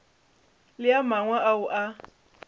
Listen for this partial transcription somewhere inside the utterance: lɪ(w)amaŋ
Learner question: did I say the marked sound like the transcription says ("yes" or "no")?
no